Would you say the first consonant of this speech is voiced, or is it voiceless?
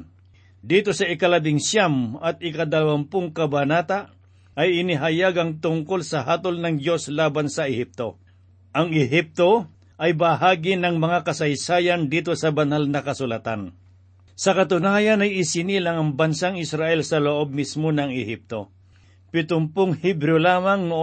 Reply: voiced